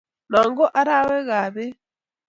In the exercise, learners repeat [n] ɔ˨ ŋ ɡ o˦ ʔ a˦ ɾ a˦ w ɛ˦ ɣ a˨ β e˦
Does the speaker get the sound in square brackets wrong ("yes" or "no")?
no